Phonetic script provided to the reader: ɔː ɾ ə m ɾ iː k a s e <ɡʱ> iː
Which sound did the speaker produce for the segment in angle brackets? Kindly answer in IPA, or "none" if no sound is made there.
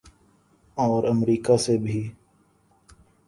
bʱ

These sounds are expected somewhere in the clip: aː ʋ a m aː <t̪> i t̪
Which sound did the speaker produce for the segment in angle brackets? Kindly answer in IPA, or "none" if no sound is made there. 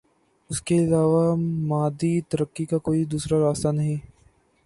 d̪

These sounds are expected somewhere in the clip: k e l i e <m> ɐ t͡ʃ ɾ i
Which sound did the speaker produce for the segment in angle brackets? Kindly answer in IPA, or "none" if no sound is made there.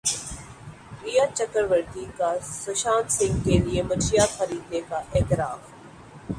m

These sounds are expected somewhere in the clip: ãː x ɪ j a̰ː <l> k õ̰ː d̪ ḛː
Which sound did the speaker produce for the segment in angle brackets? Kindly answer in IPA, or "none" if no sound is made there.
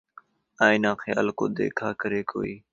l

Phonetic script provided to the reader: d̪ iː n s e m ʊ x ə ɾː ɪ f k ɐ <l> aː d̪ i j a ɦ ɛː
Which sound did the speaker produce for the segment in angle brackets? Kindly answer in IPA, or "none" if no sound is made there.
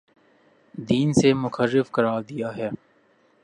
ɾ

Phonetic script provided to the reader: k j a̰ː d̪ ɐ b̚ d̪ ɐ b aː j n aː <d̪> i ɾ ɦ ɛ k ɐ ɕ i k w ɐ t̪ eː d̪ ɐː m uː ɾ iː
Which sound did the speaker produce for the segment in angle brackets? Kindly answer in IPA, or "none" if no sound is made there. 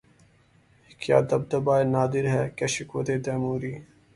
d̪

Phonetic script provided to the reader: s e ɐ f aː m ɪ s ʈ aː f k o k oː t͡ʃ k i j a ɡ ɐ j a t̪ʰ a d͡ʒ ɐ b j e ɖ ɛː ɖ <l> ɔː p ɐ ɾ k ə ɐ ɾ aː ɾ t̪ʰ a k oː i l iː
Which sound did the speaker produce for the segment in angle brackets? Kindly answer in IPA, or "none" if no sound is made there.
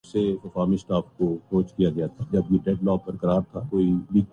l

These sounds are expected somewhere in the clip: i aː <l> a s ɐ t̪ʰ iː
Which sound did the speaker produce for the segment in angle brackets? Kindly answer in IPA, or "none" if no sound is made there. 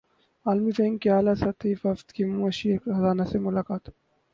l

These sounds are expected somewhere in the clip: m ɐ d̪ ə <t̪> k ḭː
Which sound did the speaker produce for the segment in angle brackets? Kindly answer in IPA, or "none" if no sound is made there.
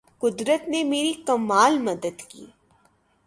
d̪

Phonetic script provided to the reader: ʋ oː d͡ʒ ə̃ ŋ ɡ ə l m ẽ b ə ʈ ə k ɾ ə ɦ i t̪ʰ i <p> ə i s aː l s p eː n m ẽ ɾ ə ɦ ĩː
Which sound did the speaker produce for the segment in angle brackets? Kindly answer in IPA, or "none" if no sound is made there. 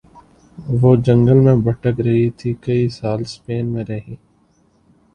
k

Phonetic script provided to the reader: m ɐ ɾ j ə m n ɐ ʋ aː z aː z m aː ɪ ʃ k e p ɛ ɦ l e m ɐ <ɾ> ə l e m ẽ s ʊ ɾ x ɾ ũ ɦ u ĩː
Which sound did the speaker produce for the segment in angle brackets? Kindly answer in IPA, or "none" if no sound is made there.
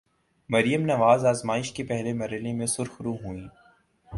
ɾ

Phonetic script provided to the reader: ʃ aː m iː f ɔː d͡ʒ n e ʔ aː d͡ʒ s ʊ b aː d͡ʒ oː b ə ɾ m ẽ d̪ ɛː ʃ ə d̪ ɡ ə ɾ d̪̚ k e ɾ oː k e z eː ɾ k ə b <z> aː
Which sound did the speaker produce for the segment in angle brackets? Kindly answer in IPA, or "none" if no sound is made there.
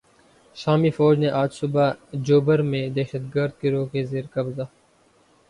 z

